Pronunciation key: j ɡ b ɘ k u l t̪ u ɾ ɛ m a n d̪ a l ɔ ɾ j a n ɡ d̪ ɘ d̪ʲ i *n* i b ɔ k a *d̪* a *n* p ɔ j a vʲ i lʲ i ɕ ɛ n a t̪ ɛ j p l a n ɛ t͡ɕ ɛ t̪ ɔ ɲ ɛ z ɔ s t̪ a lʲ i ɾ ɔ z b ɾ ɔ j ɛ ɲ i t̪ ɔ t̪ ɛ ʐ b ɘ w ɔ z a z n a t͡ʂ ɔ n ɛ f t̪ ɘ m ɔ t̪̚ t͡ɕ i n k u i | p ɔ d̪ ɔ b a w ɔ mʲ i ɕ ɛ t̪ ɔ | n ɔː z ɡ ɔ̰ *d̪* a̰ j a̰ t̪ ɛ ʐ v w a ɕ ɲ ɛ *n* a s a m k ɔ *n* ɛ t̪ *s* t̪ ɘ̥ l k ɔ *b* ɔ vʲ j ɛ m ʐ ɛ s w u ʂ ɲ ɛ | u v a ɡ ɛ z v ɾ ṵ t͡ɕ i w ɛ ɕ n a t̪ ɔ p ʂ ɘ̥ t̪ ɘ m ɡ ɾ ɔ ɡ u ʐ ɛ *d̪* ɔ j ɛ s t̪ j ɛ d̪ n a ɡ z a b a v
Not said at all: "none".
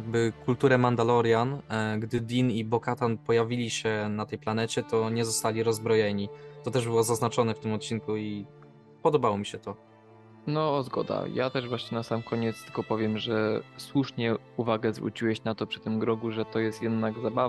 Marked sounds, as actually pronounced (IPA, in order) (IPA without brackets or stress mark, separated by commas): n, t̪, n, d̪, n, ɲ, s, p, t̪